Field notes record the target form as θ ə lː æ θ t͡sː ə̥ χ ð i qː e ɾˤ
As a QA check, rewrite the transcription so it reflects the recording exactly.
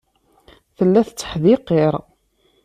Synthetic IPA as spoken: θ ə lː æ θ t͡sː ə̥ ħ ð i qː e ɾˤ